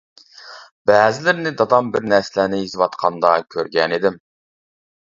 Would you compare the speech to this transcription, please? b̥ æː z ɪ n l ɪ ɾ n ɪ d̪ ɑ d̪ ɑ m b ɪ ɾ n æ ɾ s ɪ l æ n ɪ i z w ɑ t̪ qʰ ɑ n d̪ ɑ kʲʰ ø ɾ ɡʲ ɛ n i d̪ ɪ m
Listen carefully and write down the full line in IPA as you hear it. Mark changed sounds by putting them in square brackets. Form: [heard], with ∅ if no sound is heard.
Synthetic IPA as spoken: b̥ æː z ɪ [∅] l ɪ ɾ n ɪ d̪ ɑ d̪ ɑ m b ɪ ɾ n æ ɾ s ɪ l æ n ɪ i z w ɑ t̪ qʰ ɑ n d̪ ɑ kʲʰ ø ɾ ɡʲ ɛ n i d̪ ɪ m